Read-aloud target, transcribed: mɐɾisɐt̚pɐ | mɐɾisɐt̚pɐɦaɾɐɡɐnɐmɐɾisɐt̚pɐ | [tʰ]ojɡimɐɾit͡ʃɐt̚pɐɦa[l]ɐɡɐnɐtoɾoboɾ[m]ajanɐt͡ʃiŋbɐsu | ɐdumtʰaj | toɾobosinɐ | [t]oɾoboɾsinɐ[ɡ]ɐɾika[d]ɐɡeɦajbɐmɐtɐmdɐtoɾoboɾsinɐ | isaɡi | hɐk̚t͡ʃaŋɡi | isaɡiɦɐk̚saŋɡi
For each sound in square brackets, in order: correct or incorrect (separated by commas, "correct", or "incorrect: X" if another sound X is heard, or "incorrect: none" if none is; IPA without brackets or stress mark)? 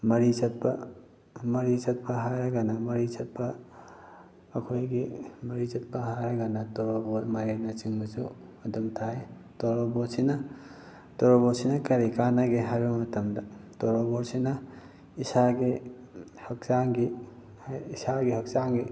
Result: incorrect: kʰ, incorrect: ɾ, correct, correct, incorrect: k, incorrect: n